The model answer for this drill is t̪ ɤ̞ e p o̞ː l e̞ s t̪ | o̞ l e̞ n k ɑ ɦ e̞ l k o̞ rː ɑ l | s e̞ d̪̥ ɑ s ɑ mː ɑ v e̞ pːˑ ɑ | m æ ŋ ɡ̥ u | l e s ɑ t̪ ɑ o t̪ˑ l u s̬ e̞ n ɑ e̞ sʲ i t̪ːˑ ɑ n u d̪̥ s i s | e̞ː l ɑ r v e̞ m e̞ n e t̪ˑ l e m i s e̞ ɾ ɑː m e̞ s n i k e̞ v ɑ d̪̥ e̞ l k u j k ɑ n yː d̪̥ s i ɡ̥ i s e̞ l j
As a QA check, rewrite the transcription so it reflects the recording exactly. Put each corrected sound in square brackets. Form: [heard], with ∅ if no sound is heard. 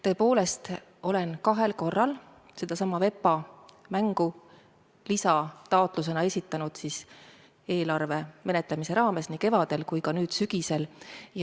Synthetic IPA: t̪ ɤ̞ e p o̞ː l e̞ s t̪ | o̞ l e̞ n k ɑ ɦ e̞ l k o̞ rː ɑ l | s e̞ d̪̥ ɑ s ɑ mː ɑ v e̞ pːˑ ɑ | m æ ŋ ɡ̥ u | l [i] s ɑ t̪ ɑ o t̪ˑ l u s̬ e̞ n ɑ e̞ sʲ i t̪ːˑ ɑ n u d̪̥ s i s | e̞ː l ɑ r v e̞ m e̞ n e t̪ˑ l e m i s e̞ ɾ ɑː m e̞ s n i k e̞ v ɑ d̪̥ e̞ l k u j k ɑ n yː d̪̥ s [y] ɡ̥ i s e̞ l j